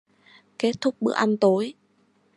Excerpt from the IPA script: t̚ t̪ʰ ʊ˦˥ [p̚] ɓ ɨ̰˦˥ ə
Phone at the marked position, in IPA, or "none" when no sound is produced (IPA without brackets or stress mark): k͡p̚